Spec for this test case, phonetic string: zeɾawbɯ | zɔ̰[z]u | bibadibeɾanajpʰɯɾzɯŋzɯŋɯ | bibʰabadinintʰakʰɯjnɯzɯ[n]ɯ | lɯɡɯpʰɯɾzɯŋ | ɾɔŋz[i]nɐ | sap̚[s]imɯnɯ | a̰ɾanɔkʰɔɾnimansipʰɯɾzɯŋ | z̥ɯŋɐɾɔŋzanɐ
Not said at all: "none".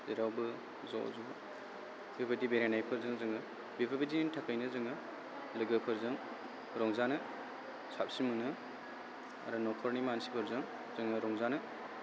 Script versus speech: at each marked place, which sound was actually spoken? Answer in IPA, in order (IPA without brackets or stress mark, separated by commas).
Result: z, ŋ, a, s